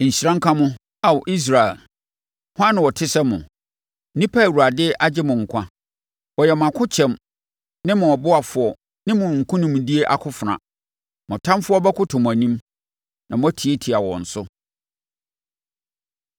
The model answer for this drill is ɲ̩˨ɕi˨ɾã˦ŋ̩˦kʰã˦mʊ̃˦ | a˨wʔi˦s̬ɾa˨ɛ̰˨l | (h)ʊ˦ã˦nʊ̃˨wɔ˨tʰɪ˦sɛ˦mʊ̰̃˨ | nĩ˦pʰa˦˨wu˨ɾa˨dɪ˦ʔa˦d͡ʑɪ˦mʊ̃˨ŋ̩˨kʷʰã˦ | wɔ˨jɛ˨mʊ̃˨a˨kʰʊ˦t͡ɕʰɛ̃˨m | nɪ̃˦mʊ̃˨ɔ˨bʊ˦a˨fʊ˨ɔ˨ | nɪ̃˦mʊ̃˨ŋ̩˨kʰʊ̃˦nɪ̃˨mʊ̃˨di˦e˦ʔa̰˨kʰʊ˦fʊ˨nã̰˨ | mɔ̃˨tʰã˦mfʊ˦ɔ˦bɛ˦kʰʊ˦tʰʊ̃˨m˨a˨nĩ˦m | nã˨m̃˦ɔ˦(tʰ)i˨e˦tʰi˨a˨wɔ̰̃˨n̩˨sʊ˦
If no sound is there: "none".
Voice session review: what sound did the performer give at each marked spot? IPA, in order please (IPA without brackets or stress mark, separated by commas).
h, tʰ